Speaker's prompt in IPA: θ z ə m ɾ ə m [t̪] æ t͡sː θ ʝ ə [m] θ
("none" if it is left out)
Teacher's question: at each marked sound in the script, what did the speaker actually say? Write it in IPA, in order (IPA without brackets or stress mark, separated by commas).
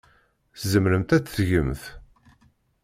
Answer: t̪, m